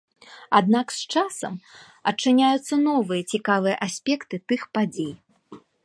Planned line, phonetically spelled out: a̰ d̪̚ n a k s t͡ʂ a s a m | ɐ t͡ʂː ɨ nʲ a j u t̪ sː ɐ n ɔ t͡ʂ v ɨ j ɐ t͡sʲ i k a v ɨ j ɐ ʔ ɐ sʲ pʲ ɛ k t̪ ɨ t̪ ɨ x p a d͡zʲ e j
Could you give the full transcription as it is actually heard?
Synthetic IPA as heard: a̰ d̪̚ n a k s t͡ʂ a s ɐ m | ɐ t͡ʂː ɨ nʲ a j u t̪ sː ɐ n ɔ v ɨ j ɐ t͡sʲ i k a v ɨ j ɐ ʔ a sʲ pʲ ɛ k t̪ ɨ t̪ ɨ x p a d͡zʲ e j